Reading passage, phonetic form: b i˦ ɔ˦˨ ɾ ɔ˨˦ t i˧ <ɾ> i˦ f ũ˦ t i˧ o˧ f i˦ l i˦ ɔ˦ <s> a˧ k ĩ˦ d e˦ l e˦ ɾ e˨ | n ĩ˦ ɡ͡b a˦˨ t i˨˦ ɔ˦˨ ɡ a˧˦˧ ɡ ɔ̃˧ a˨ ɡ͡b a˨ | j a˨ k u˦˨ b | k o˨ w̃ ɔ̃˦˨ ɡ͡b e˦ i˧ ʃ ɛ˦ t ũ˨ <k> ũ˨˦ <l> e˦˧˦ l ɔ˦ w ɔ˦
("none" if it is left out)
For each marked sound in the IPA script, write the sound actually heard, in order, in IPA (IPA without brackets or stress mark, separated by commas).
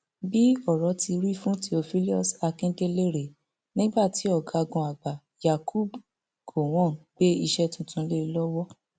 ɾ, s, t, l